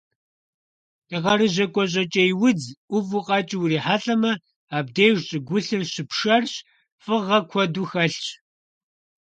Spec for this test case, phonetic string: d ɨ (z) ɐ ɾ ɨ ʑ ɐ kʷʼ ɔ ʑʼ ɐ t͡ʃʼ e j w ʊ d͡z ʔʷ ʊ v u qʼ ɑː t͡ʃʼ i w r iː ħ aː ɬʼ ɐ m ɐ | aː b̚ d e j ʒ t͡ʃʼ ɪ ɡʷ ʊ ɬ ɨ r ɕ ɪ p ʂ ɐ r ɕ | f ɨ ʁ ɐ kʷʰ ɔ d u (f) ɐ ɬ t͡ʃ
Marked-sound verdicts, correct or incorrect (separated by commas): incorrect, incorrect